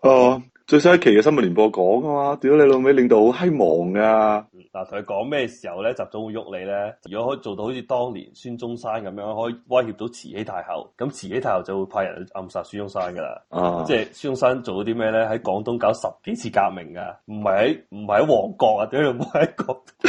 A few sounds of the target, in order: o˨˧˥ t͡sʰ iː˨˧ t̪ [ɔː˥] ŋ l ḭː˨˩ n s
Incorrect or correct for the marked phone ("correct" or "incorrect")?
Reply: correct